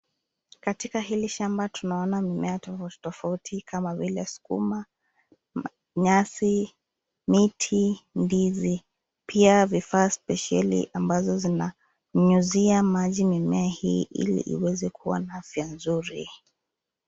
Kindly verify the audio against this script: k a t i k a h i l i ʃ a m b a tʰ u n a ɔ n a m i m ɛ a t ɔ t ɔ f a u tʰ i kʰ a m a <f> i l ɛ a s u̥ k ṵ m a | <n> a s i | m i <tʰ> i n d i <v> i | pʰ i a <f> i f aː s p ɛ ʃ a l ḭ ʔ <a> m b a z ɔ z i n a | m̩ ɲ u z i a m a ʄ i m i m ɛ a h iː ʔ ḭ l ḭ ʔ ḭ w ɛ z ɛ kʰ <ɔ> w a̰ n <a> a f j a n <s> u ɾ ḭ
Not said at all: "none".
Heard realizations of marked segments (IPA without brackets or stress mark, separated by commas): v, ɲ, tʰ, z, v, a, u, a, z